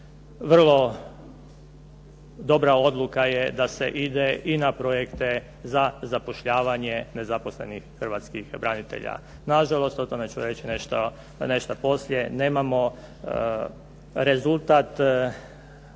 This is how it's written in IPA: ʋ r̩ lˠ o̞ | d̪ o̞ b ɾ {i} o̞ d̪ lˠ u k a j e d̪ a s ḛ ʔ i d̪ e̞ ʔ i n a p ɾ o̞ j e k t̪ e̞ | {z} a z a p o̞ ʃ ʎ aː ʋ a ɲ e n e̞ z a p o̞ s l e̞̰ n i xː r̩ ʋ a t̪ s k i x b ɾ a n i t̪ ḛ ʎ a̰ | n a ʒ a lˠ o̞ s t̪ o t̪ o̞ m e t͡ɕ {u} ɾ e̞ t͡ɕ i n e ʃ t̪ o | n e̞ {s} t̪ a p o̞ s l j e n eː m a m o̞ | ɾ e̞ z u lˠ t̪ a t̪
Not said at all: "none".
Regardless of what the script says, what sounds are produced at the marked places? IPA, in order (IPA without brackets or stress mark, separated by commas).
a, z, u, ʃ